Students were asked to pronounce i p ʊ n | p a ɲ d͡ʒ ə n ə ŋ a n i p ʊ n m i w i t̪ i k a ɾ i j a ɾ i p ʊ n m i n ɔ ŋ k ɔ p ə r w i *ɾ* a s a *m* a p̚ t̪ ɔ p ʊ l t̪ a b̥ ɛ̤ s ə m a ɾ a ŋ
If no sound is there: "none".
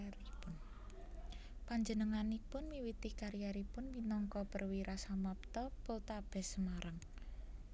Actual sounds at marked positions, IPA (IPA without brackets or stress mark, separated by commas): ɾ, m